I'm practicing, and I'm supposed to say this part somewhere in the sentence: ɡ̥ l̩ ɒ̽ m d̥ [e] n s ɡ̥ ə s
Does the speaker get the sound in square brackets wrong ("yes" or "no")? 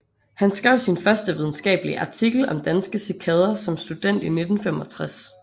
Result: yes